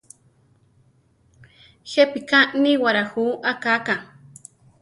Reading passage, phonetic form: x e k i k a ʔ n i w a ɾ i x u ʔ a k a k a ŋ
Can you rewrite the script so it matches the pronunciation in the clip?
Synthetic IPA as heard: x e p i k a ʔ n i w a ɾ a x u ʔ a k a k a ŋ